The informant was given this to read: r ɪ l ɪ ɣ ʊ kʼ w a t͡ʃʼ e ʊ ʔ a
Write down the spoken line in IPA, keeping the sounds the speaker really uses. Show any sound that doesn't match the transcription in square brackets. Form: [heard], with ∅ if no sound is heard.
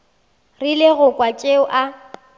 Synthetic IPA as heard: r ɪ l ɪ ɣ ʊ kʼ w a t͡ʃʼ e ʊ ʔ a